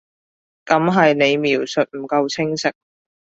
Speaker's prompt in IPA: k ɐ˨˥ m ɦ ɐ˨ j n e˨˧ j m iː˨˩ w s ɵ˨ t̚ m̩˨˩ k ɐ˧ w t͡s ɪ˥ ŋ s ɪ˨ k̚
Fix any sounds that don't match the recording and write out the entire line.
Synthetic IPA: k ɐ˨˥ m ɦ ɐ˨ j n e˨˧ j m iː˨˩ w s ɵ˨ t̚ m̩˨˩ k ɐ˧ w t͡sʰ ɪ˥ ŋ s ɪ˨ k̚